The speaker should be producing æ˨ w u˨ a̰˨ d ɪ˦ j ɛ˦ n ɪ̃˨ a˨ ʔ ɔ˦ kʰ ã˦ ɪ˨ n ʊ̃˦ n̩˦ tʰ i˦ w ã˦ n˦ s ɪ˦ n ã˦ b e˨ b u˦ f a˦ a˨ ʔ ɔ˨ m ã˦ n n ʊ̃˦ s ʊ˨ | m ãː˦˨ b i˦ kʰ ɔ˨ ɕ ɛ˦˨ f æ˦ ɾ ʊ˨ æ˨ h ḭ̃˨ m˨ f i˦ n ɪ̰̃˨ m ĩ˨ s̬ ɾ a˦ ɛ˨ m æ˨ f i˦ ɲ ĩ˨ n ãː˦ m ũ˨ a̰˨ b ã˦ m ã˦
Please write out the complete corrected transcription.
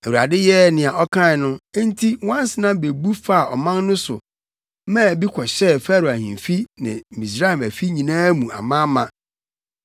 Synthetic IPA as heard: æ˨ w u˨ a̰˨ d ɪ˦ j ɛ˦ n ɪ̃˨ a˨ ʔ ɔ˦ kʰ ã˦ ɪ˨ n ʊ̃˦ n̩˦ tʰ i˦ w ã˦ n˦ s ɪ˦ n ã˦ b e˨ b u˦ f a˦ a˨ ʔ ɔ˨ m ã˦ n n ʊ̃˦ s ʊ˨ | m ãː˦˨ b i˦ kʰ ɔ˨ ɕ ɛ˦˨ f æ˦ ɾ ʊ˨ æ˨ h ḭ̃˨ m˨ f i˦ n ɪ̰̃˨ m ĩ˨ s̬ ɾ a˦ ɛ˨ m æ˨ f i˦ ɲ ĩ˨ n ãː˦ m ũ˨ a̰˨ m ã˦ m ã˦